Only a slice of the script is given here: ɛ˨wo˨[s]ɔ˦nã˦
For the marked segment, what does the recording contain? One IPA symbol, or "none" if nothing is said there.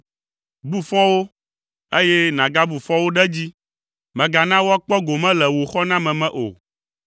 x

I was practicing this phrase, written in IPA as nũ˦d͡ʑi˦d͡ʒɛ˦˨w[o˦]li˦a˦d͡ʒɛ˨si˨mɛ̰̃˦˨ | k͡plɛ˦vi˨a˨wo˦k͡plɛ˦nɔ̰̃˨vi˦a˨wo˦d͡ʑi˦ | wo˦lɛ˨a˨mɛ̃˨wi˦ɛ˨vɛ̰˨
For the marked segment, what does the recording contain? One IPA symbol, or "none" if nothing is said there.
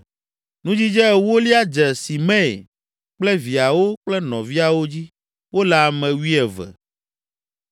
o˦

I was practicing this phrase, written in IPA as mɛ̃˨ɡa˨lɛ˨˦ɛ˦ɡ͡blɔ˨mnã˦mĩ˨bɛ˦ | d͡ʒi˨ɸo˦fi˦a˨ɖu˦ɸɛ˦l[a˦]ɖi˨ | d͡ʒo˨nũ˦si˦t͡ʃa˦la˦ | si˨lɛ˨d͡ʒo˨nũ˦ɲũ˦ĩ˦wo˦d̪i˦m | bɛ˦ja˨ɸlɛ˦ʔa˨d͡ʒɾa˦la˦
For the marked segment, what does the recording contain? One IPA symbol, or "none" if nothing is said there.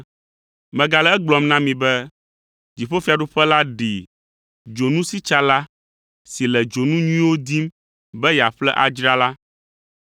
a˦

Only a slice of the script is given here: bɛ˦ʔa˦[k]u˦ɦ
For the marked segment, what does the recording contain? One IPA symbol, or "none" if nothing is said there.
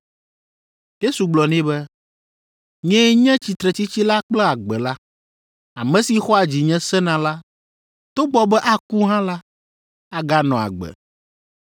k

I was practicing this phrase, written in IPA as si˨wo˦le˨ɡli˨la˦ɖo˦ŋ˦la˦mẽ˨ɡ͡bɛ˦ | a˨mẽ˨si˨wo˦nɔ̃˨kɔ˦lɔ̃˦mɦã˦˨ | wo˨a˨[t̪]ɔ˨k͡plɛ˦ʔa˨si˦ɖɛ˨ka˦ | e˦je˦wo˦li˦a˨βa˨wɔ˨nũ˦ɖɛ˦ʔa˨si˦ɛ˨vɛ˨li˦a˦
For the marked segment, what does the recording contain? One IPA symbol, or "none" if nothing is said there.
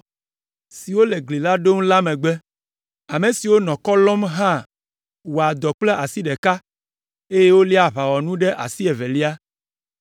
d̪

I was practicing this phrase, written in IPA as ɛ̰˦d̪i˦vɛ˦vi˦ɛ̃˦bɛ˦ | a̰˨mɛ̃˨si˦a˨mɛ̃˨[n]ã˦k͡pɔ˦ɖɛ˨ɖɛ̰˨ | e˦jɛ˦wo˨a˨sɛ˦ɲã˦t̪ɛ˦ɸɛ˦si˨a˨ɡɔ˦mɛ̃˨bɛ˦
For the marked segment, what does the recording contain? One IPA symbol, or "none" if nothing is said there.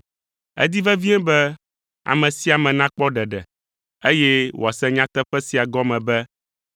n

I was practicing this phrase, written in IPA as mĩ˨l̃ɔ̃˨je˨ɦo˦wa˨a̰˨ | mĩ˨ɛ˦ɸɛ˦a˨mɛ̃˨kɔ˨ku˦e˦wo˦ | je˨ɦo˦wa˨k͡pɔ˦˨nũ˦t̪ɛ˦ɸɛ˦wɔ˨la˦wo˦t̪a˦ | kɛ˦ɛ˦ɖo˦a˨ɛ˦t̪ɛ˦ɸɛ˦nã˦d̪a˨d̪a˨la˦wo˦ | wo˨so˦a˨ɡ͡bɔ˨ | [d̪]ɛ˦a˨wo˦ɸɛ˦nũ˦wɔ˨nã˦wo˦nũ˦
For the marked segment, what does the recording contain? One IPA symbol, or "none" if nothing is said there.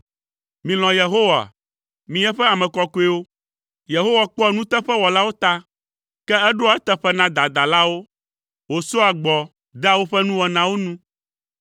d̪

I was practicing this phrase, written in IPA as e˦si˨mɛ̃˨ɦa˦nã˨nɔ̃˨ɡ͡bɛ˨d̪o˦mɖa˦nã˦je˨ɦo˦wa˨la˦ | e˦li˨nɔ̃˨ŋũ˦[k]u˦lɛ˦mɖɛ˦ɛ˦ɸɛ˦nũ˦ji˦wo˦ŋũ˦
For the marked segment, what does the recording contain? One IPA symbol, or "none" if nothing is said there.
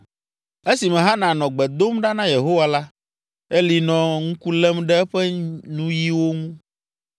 k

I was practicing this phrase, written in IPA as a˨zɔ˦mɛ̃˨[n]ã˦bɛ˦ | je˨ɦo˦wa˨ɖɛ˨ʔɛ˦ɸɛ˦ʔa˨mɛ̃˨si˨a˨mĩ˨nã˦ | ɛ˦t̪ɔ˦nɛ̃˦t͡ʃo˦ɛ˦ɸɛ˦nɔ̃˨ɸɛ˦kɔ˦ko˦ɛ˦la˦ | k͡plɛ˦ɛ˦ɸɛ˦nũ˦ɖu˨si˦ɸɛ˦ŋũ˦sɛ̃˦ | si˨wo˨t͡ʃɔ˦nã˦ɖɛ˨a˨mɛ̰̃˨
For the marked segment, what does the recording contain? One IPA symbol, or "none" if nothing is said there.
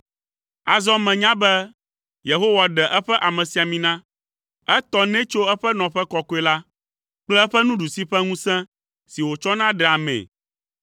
ɲ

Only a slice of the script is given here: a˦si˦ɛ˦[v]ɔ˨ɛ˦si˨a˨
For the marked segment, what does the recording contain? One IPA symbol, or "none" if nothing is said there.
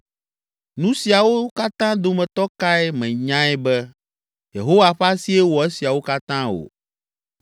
w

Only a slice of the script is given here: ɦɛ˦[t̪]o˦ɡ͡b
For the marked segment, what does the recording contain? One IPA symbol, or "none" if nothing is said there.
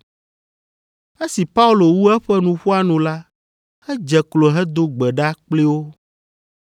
d̪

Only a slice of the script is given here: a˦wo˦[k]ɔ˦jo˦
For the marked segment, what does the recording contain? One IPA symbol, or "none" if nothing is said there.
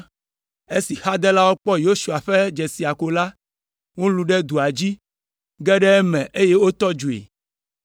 k͡p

